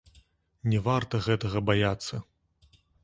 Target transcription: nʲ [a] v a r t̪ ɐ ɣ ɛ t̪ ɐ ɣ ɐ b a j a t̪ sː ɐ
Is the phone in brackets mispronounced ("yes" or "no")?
yes